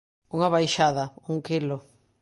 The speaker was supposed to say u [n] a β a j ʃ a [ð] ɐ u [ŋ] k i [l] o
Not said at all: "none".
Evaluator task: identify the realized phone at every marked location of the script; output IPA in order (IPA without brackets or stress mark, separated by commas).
ŋ, ð, ŋ, l